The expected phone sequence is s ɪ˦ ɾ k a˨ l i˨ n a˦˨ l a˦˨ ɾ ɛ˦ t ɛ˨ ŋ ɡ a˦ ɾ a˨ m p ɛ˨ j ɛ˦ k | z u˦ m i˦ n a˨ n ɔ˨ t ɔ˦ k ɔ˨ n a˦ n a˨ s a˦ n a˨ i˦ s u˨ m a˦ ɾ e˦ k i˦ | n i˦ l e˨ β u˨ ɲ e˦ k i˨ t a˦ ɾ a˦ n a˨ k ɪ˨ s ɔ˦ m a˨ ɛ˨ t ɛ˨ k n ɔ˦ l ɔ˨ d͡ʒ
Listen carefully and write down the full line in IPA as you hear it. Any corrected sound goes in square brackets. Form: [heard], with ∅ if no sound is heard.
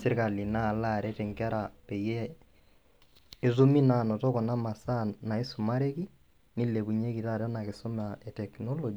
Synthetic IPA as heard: s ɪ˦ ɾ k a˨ l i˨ n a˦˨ l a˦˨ ɾ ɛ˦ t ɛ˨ ŋ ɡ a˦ ɾ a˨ [∅] p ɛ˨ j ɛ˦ [∅] | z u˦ m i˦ n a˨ n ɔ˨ t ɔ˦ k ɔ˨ n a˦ [m] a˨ s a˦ n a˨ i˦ s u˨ m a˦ ɾ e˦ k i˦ | n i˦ l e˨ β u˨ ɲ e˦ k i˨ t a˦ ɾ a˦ n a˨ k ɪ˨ s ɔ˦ m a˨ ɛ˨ t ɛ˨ k n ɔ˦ l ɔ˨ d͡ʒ